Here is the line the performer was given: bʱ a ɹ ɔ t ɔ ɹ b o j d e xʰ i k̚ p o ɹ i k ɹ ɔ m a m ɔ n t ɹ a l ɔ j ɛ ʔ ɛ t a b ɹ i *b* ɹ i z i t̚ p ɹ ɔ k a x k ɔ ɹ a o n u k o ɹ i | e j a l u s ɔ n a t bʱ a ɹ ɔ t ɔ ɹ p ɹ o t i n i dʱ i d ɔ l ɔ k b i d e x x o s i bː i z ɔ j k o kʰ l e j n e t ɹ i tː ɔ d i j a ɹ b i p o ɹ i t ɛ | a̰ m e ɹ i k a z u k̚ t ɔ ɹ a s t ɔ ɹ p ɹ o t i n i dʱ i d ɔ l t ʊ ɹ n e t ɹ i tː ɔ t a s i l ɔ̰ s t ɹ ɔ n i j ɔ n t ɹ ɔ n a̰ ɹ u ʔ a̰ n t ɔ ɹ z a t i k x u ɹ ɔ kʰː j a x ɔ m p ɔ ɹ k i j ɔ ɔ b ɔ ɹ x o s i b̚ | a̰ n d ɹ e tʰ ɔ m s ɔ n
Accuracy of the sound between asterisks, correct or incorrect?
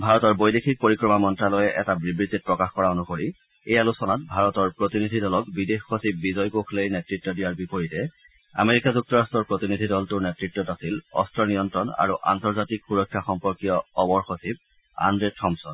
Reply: correct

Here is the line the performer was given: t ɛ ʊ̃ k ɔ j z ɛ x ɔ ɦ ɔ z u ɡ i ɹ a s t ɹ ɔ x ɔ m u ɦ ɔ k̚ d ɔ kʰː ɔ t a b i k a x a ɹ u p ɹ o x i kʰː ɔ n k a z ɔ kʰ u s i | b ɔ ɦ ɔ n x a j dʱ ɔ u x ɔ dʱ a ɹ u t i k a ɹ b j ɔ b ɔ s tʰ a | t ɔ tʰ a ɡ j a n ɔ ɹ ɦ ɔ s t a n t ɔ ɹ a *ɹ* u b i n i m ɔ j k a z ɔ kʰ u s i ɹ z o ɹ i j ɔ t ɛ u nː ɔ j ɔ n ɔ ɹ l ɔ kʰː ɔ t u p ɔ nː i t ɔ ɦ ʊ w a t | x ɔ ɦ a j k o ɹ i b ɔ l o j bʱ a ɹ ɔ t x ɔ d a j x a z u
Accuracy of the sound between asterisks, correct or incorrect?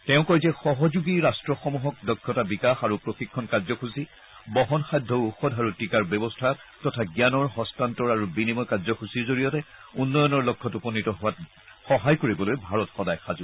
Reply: correct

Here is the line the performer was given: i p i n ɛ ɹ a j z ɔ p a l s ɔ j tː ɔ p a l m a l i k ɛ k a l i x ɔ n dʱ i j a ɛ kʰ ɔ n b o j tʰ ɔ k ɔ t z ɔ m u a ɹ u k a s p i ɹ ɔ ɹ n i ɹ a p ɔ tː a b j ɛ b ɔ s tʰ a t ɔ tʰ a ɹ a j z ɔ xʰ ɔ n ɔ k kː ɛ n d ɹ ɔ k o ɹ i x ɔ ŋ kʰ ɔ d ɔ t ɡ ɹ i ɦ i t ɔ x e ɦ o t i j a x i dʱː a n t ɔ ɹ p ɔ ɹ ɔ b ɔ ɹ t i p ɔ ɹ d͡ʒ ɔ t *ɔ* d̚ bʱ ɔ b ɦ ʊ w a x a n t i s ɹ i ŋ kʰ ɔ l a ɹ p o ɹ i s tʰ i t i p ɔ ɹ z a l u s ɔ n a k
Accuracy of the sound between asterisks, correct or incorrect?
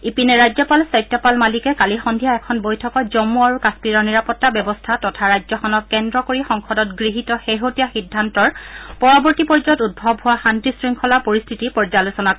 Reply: incorrect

